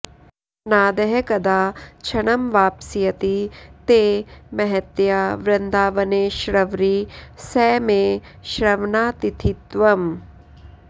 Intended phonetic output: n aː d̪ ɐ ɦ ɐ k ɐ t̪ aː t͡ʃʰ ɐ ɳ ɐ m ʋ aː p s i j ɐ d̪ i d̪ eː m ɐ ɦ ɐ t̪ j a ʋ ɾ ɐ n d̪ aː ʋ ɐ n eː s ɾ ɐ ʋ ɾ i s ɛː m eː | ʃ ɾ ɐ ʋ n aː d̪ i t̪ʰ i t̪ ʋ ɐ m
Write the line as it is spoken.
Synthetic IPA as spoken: n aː d̪ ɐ ɦ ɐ k ɐ d̪ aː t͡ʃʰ ɐ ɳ ɐ m ʋ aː p s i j ɐ t̪ i t̪ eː m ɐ ɦ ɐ t̪ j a ʋ ɾ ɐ n d̪ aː ʋ ɐ n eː ʃ ɾ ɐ ʋ ɾ i s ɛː m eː | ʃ ɾ ɐ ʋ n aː t̪ i t̪ʰ i t̪ ʋ ɐ m